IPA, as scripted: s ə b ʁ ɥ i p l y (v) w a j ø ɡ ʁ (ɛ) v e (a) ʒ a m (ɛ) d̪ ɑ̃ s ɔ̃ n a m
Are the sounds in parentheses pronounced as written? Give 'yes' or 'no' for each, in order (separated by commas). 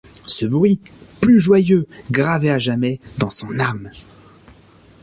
no, no, yes, yes